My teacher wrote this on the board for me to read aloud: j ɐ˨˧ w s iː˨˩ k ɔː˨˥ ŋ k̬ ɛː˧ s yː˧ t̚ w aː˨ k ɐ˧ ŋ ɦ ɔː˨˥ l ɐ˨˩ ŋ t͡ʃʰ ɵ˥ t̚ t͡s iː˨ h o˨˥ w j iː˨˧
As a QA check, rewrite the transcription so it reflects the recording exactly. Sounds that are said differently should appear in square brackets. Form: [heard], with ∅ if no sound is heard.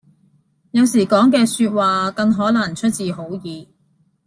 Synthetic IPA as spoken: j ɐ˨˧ w s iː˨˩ k ɔː˨˥ ŋ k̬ ɛː˧ s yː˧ t̚ w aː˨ k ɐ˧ ŋ ɦ ɔː˨˥ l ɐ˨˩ ŋ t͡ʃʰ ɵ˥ t̚ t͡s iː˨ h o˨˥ w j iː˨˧